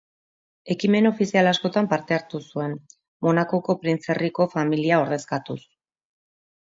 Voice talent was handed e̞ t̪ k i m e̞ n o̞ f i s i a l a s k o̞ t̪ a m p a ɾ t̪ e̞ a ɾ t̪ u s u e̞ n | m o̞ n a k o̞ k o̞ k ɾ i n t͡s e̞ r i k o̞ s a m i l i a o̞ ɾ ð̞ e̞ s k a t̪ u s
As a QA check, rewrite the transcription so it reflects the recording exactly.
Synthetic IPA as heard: e̞ k i m e̞ n o̞ f i s i a l a s k o̞ t̪ a m p a ɾ t̪ e̞ a ɾ t̪ u s u e̞ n | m o̞ n a k o̞ k o̞ p ɾ i n t͡s e̞ r i k o̞ f a m i l i a o̞ ɾ ð̞ e̞ s k a t̪ u s